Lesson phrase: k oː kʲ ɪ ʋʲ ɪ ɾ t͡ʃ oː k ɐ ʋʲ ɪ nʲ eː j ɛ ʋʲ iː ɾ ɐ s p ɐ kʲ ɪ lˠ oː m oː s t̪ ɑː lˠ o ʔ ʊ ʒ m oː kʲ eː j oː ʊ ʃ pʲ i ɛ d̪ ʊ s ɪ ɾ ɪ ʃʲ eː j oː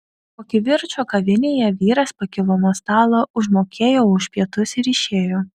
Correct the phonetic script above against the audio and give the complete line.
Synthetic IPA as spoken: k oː kʲ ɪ ʋʲ ɪ ɾ t͡ʃ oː k ɐ ʋʲ ɪ nʲ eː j ɛ ʋʲ iː ɾ ɐ s p ɐ kʲ ɪ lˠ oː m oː s t̪ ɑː lˠ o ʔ ʊ ʒ m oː kʲ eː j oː ʊ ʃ pʲ i ɛ t̪ ʊ s ɪ ɾ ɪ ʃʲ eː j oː